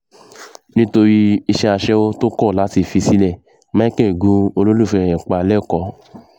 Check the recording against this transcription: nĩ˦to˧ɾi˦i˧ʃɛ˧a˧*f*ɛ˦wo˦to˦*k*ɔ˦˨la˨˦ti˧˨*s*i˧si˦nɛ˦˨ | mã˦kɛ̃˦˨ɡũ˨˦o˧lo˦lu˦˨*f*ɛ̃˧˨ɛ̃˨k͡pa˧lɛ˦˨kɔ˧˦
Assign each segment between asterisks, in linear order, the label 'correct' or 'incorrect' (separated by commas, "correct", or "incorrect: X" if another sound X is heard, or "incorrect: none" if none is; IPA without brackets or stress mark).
incorrect: ʃ, correct, incorrect: f, correct